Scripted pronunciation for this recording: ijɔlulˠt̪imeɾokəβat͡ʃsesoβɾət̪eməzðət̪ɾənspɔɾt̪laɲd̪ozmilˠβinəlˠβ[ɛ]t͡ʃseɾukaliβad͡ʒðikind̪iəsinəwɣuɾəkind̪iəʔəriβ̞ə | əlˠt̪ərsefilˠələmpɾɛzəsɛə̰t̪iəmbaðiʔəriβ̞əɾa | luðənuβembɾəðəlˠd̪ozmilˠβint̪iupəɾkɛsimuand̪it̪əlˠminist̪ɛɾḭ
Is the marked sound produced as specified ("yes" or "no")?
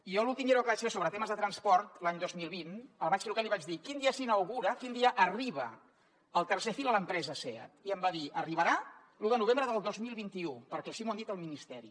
no